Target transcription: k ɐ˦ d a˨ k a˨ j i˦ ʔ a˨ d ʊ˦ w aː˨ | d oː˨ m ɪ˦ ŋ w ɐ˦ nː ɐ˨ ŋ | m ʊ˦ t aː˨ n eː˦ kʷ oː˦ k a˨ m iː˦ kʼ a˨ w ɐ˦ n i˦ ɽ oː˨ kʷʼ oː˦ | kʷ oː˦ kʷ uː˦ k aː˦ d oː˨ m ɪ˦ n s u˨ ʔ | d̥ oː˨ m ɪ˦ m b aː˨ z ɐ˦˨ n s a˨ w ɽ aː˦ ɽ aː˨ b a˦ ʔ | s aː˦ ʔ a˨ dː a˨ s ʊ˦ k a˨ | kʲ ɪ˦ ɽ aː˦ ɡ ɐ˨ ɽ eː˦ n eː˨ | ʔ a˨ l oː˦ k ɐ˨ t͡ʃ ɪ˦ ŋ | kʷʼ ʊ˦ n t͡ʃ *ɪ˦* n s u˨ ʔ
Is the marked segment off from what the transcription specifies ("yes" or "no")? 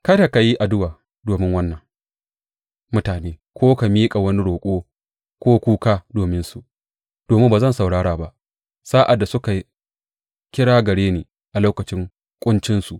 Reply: no